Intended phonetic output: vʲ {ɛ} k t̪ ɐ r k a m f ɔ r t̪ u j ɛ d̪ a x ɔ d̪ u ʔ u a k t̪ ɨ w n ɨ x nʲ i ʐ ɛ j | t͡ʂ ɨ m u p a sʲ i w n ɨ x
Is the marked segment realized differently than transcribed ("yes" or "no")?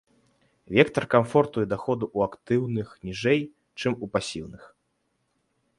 no